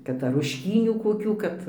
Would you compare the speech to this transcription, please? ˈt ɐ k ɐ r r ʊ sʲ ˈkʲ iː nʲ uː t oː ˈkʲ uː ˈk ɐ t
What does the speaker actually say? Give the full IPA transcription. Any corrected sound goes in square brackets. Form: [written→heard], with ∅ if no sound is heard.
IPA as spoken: [ˈt→ˈk] ɐ [k→t] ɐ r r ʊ [sʲ→ʃʲ] ˈkʲ iː nʲ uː [t→k] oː ˈkʲ uː ˈk ɐ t